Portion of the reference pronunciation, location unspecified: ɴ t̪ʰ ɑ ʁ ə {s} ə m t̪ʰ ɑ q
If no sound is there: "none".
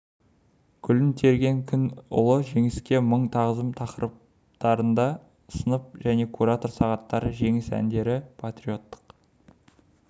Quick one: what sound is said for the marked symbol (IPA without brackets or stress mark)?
z